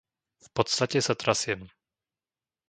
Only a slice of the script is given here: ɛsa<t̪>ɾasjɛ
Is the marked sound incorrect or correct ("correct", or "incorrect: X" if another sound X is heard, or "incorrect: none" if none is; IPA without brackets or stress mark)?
correct